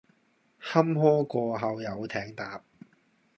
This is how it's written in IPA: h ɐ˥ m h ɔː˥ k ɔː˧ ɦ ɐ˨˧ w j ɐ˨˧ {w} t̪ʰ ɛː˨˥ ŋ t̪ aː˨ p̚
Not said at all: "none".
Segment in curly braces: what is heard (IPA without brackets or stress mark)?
w